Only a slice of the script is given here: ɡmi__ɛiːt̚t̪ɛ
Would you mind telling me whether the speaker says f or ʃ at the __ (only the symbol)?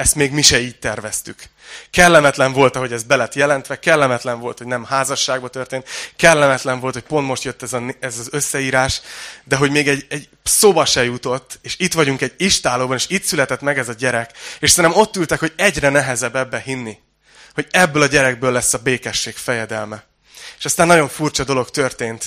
ʃ